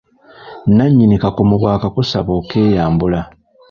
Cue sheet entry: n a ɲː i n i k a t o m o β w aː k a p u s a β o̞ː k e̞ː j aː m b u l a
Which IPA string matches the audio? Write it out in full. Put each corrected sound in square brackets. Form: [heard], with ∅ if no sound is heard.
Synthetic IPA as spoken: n a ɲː i n i k a [k] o m [u] β w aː k a [k] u s a β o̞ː k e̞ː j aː m b u l a

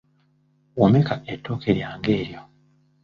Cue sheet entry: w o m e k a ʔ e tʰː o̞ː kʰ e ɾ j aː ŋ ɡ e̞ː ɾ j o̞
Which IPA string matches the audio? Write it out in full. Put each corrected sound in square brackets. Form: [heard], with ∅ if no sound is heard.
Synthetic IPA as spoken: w o m e k a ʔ e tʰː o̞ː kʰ e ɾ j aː ŋ ɡ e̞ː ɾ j o̞

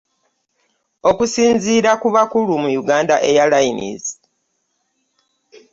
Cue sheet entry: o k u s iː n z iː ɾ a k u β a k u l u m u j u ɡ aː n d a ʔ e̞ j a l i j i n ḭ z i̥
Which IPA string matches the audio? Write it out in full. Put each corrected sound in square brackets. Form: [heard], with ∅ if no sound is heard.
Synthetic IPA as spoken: o k u s iː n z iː ɾ a k u β a k u l u m u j u ɡ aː n d a ʔ e̞ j a l [a] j i n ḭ z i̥

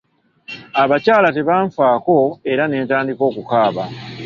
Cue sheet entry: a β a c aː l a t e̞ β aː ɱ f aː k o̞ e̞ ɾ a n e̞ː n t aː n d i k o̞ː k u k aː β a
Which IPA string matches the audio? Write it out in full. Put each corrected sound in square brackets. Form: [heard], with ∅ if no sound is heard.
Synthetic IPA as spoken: a β a c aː l a t e̞ β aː ɱ f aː k o̞ e̞ ɾ a n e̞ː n t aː n d i k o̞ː k u k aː β a

